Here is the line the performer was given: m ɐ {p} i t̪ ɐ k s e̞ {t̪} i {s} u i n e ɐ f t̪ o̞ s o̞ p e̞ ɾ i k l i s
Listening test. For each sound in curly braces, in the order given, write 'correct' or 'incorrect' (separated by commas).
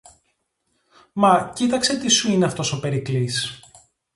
incorrect, correct, correct